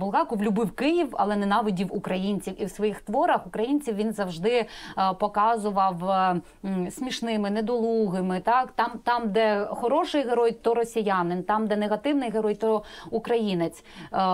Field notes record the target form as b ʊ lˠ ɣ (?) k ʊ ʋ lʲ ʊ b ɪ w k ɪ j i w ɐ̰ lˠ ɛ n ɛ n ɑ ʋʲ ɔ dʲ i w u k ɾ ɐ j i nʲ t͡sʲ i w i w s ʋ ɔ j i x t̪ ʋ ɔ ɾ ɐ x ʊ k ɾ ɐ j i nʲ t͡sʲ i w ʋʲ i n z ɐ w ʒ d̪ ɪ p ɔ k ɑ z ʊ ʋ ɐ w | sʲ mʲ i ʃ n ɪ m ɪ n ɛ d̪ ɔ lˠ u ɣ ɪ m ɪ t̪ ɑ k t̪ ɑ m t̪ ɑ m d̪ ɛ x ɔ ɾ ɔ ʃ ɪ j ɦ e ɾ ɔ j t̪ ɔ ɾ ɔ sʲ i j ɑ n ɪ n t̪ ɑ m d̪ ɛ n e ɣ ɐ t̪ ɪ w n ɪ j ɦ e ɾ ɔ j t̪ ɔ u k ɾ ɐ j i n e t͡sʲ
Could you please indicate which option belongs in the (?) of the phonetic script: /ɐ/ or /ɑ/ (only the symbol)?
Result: ɑ